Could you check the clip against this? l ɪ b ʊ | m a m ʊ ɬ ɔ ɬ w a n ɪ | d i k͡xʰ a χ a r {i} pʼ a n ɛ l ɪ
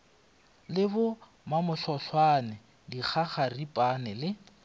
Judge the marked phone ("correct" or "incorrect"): correct